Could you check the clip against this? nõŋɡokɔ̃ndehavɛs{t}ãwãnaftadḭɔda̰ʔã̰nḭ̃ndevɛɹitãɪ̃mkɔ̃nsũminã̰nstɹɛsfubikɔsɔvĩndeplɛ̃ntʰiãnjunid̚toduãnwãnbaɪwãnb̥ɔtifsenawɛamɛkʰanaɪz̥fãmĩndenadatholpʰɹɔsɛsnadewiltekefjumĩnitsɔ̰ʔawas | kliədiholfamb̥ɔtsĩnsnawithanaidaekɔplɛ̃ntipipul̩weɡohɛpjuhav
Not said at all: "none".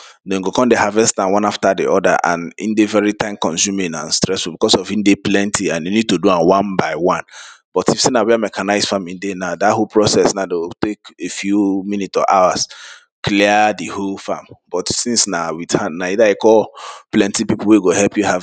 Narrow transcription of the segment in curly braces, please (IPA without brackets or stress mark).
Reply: t